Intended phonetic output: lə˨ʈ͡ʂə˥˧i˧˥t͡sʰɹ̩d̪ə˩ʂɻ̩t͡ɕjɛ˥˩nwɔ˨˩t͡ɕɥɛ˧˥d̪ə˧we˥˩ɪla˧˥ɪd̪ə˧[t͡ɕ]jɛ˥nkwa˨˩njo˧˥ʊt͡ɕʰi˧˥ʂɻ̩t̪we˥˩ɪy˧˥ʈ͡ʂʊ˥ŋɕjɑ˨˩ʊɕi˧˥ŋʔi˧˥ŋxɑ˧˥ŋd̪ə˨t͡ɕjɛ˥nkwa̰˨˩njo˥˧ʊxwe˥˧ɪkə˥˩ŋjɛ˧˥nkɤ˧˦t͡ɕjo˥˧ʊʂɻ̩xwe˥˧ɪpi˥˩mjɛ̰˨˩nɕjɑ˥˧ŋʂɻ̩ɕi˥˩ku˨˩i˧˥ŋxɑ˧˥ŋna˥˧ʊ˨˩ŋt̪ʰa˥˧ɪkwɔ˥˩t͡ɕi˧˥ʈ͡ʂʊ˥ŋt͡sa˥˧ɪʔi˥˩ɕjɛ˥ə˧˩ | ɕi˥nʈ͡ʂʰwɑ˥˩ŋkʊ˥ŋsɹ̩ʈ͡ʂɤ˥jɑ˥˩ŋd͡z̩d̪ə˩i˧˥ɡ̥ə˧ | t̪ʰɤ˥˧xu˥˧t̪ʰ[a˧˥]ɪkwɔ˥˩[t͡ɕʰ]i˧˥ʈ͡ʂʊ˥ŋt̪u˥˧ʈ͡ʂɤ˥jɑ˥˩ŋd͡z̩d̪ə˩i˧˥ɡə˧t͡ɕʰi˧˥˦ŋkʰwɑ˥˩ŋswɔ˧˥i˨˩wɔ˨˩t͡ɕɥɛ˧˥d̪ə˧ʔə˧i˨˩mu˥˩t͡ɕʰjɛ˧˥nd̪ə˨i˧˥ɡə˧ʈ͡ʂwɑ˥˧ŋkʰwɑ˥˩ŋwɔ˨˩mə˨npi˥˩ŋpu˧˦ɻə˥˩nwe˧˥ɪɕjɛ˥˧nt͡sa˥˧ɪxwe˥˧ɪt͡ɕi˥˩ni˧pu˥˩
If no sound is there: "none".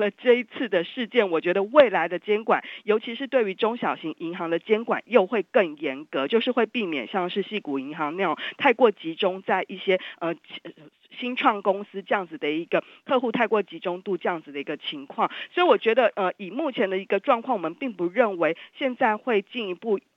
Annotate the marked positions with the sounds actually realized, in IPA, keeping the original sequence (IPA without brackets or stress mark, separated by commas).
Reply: t͡ɕ, a˥˧, t͡ɕ